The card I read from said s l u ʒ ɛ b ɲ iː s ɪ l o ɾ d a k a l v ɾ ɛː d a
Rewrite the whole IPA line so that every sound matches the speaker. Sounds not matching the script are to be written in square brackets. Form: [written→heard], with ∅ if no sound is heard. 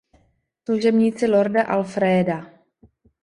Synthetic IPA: s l u ʒ ɛ b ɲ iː [s→t͡s] ɪ l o ɾ d a [k→ʔ] a l [v→f] ɾ ɛː d a